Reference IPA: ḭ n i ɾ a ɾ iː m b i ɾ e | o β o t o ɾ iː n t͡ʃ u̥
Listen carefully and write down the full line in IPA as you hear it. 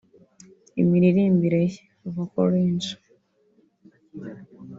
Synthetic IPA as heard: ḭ m i ɾ i ɾ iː m b i ɾ e | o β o k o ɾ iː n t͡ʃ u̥